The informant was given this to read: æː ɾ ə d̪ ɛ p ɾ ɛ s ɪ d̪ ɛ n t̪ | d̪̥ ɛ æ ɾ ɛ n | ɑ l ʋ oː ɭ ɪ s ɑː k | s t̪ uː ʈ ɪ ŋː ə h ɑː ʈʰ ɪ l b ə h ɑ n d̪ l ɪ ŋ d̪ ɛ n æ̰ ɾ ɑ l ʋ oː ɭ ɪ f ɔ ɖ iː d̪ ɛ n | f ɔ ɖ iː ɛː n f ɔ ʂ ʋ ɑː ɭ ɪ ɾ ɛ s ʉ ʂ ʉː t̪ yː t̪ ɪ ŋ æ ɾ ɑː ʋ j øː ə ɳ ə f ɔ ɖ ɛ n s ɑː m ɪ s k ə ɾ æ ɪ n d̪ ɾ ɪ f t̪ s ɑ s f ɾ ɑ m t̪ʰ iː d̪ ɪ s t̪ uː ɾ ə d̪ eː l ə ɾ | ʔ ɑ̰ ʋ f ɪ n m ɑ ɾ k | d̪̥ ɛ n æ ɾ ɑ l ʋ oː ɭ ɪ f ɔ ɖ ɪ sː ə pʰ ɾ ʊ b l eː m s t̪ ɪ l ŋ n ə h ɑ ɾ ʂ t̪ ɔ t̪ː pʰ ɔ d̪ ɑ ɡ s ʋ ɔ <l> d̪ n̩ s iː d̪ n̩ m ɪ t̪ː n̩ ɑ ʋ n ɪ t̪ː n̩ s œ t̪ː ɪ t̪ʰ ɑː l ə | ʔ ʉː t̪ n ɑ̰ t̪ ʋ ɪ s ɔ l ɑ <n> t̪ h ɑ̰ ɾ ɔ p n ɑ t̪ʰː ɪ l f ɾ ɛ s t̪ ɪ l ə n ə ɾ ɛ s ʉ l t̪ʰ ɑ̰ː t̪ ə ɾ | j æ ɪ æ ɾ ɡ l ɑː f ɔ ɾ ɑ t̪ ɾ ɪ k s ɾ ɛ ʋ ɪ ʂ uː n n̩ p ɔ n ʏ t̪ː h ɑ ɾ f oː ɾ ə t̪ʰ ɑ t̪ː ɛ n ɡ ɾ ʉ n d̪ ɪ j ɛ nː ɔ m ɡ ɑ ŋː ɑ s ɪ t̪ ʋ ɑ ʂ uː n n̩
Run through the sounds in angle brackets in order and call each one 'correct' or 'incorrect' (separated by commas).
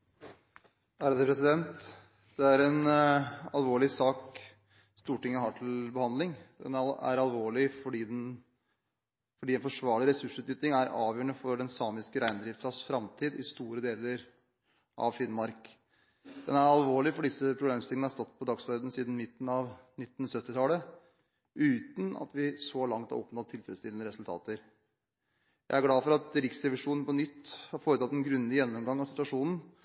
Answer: incorrect, incorrect